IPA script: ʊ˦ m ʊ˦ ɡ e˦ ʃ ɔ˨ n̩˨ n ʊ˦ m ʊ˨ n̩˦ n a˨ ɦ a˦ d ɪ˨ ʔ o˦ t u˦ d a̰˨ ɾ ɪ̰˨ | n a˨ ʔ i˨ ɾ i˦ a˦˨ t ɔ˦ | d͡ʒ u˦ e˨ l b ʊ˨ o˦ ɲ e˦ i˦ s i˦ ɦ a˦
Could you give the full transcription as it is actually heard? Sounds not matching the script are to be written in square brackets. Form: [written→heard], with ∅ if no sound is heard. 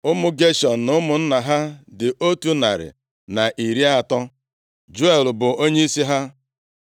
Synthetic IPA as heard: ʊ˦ m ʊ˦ ɡ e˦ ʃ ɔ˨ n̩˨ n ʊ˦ m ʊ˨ n̩˦ n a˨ ɦ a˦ d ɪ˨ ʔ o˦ t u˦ [d→n] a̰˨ ɾ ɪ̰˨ | n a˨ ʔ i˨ ɾ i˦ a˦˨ t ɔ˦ | d͡ʒ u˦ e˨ l b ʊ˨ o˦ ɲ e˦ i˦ s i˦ ɦ a˦

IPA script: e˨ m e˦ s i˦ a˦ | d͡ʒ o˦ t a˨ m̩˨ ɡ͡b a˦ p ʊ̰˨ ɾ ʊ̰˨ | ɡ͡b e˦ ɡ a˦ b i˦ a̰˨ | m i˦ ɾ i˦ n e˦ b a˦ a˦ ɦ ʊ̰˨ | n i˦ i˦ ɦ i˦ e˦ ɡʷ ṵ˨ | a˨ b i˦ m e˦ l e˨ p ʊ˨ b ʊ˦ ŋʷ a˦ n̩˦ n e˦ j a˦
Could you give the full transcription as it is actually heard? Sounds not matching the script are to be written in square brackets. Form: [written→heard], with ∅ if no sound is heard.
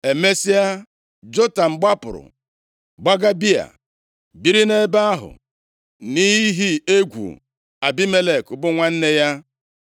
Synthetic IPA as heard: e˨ m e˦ s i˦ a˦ | d͡ʒ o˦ t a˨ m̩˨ ɡ͡b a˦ p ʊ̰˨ ɾ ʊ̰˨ | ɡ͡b [e˦→a˦] ɡ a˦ b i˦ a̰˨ | [m→b] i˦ ɾ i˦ n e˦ b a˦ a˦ ɦ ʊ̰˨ | n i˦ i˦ ɦ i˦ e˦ ɡʷ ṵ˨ | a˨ b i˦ m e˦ l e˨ [p→k] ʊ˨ b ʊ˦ ŋʷ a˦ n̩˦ n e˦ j a˦

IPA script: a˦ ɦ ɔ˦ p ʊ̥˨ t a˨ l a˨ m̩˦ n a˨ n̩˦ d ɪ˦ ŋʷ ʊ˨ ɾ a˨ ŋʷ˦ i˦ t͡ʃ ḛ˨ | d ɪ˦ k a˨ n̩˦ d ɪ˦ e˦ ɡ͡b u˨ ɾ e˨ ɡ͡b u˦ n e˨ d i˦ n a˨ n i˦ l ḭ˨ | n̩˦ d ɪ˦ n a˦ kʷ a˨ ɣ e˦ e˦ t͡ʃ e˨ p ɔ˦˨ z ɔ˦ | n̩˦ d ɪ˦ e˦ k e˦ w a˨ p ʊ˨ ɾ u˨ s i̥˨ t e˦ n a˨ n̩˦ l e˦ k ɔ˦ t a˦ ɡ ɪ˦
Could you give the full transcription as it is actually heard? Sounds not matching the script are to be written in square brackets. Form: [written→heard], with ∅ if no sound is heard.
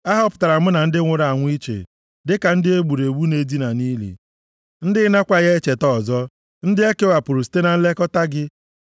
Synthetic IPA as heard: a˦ ɦ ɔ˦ p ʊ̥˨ t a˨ [l→ɾ] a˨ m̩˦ n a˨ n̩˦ d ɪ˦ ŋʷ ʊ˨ ɾ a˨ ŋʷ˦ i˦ t͡ʃ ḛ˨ | d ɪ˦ k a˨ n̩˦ d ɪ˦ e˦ ɡ͡b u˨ ɾ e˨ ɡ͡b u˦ n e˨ d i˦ n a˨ n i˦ l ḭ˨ | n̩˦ d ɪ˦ n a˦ kʷ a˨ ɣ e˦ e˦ t͡ʃ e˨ [p→t] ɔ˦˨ z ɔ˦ | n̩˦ d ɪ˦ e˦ k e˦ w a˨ p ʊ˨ ɾ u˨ s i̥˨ t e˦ n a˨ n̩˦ l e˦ k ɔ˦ t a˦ ɡ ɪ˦

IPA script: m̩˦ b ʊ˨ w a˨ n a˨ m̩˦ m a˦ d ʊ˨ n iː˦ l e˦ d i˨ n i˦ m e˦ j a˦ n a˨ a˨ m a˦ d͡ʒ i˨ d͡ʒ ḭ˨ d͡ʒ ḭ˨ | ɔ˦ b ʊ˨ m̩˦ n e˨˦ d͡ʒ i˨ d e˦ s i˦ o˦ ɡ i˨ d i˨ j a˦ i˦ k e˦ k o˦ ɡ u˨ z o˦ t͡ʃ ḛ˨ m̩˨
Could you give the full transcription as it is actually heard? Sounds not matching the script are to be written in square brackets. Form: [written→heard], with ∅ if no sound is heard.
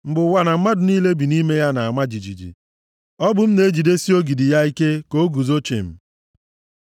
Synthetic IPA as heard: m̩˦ b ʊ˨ w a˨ n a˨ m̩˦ m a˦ d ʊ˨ n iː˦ l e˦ [d→b] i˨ n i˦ m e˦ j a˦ n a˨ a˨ m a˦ d͡ʒ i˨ d͡ʒ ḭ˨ d͡ʒ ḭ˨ | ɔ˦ b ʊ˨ m̩˦ n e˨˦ d͡ʒ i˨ d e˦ s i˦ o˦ ɡ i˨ d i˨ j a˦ i˦ k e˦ k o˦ ɡ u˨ z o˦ t͡ʃ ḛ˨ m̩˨

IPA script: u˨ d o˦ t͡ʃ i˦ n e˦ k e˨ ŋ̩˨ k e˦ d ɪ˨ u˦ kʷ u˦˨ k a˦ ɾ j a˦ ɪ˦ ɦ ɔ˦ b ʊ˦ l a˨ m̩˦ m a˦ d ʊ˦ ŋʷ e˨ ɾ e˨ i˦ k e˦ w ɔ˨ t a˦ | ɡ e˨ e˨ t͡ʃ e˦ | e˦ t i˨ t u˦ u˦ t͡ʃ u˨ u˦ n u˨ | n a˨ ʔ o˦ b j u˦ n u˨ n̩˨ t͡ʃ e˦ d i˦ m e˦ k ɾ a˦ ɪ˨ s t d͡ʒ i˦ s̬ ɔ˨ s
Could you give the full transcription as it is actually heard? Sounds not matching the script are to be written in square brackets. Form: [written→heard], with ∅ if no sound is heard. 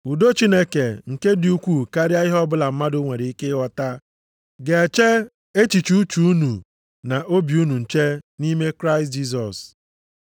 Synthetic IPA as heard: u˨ d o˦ t͡ʃ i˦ n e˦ k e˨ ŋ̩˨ k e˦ d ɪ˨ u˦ kʷ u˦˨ k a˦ ɾ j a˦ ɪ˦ ɦ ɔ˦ b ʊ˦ l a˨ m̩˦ m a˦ d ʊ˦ ŋʷ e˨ ɾ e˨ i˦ k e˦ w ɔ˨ t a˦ | ɡ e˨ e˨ t͡ʃ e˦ | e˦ [t→t͡ʃ] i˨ [t→t͡ʃ] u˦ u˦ t͡ʃ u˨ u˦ n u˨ | n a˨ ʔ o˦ b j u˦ n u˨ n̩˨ t͡ʃ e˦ [d→n] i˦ m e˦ k ɾ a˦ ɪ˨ s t d͡ʒ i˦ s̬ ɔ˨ s

